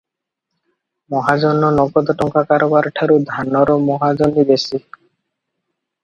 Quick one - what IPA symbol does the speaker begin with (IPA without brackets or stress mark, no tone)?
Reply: m